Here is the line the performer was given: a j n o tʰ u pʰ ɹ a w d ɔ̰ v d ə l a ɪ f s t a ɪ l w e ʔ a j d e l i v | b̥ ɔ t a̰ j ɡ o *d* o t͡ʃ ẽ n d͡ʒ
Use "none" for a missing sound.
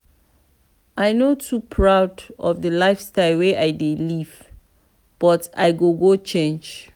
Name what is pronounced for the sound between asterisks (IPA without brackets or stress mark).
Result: ɡ